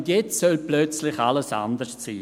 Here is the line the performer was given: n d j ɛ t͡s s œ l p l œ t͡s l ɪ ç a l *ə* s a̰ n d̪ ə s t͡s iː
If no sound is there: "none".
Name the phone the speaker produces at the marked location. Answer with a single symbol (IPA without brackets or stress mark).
ə